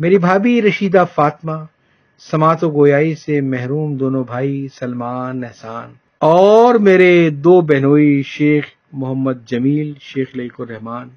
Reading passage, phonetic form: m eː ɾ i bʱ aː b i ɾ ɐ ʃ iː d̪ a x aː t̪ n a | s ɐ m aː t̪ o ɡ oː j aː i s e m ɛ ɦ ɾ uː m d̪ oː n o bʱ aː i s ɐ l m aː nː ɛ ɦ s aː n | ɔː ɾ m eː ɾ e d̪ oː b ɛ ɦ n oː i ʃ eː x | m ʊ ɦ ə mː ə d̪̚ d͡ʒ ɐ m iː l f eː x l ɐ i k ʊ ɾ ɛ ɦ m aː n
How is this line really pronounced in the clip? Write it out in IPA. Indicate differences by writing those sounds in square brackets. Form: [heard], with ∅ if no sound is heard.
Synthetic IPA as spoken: m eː ɾ i bʱ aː b i ɾ ɐ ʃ iː d̪ a [f] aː t̪ [m] a | s ɐ m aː t̪ o ɡ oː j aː i s e m ɛ ɦ ɾ uː m d̪ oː n o bʱ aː i s ɐ l m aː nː ɛ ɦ s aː n | ɔː ɾ m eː ɾ e d̪ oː b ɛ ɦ n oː i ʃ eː x | m ʊ ɦ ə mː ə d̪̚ d͡ʒ ɐ m iː l [ʃ] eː x l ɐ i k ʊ ɾ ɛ ɦ m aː n